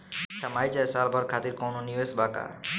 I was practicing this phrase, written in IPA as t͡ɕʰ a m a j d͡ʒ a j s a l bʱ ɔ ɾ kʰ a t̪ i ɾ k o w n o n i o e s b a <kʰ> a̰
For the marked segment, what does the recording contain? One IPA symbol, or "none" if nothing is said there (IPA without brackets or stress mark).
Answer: k